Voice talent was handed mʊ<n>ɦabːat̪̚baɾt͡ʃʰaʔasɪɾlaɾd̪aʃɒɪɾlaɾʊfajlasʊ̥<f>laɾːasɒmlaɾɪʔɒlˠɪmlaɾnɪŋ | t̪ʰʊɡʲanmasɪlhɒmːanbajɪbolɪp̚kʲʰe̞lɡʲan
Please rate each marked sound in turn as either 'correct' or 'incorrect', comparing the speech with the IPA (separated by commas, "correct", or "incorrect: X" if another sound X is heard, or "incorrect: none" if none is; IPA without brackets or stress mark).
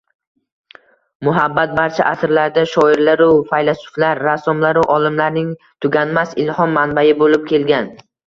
incorrect: none, correct